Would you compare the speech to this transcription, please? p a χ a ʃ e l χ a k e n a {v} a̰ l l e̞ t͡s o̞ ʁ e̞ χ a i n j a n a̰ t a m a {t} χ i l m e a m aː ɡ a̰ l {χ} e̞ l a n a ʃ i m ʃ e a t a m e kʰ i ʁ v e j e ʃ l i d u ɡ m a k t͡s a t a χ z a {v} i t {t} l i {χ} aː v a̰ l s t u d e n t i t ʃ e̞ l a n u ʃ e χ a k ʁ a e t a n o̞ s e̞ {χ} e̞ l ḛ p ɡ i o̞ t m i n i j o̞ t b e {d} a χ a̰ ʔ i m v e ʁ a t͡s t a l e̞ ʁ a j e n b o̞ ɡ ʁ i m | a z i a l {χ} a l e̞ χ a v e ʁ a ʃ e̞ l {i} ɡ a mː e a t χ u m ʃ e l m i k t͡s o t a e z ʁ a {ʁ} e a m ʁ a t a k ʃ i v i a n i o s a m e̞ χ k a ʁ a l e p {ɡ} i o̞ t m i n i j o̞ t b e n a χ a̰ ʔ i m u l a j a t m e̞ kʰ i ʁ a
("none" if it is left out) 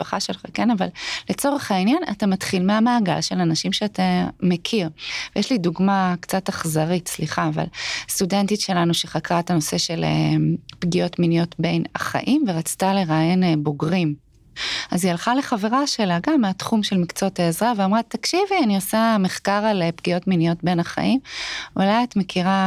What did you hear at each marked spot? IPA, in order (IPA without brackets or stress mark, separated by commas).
v, t, ʃ, ʁ, s, χ, ʃ, n, χ, a, v, ɡ